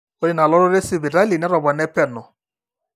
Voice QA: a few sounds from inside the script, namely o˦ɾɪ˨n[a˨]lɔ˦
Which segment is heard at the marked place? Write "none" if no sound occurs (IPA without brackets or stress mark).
a˨